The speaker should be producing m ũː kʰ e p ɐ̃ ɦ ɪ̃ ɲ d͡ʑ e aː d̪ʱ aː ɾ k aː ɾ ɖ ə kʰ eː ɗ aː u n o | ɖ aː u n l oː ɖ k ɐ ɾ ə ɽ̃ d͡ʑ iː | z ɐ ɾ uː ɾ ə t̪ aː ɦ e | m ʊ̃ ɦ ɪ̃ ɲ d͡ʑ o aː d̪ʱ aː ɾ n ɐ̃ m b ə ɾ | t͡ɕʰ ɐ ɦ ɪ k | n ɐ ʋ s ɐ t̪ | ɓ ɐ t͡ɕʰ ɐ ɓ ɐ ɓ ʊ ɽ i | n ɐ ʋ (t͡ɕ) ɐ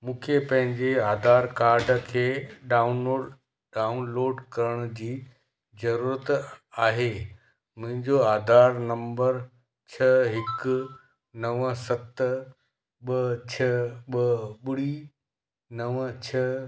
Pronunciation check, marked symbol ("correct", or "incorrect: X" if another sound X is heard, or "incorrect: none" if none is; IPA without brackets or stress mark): incorrect: t͡ɕʰ